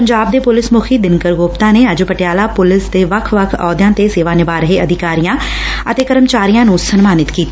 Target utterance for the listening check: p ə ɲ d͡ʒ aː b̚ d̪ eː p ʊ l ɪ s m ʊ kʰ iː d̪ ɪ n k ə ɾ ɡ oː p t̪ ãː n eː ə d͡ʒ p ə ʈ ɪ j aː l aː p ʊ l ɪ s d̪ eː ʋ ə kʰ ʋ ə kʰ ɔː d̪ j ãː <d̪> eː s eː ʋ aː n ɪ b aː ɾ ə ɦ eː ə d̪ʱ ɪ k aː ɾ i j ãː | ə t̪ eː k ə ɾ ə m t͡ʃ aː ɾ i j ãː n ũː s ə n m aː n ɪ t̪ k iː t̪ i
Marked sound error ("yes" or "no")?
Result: yes